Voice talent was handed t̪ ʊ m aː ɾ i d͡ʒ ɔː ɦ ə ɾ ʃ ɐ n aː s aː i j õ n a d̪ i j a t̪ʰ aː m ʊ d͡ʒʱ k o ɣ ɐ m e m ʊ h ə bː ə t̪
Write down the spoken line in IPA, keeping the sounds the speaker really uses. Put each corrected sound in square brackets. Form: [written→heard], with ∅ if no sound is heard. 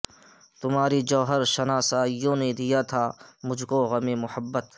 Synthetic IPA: t̪ ʊ m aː ɾ i d͡ʒ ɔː ɦ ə ɾ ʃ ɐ n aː s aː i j õ n [a→e] d̪ i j a t̪ʰ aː m ʊ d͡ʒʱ k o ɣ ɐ m e m ʊ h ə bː ə t̪